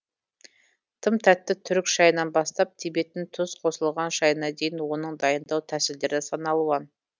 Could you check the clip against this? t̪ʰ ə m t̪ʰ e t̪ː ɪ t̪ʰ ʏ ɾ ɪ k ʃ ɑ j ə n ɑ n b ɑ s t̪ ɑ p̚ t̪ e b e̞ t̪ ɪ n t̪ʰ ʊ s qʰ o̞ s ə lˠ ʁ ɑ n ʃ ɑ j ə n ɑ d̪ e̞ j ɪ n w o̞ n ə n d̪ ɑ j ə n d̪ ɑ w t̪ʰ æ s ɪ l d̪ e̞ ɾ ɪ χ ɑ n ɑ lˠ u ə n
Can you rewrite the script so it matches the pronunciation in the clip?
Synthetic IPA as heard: t̪ʰ ə m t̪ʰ æ t̪ː ɪ t̪ʰ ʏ ɾ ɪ k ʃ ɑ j ə n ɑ n b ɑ s t̪ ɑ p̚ t̪ʰ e b e̞ t̪ ɪ n t̪ʰ ʊ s qʰ o̞ s ə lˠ ʁ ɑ n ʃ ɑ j ə n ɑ d̪ e̞ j ɪ n w o̞ n ə ɴ d̪ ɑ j ə n d̪ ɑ w t̪ʰ æ s ɪ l d̪ e̞ ɾ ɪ s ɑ n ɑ lˠ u ɑ n